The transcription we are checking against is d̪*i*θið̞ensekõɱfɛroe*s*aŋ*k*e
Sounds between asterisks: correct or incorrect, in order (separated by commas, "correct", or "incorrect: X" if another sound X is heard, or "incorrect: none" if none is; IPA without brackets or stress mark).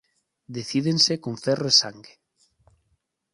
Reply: incorrect: e, correct, incorrect: ɡ